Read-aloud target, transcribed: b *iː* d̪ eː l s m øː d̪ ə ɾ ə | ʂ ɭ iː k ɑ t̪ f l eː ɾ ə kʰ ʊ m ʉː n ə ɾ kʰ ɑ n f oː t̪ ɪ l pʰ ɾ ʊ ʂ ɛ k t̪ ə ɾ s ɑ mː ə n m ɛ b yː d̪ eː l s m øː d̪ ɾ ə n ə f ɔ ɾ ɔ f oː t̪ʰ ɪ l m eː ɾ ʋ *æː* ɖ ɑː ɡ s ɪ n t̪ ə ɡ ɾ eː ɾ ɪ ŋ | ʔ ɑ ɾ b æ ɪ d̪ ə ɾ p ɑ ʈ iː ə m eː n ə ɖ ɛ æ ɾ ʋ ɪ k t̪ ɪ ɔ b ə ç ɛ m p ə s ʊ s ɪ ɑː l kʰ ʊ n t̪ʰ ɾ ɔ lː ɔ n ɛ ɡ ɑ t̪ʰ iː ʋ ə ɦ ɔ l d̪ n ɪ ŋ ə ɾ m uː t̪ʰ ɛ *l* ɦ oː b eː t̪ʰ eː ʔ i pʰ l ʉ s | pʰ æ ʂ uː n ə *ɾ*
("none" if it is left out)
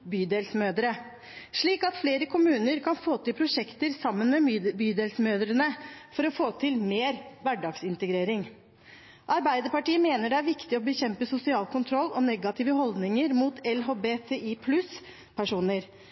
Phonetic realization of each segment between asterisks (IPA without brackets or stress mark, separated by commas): yː, æ, l, ɾ